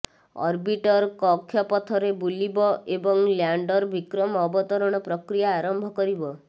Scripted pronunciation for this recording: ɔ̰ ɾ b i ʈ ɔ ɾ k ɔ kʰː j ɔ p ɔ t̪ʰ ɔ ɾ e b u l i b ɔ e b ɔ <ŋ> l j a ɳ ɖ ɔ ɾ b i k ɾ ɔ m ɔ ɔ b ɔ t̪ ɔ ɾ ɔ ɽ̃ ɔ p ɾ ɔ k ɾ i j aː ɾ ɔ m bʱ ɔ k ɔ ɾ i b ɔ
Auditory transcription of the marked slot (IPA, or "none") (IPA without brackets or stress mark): ŋ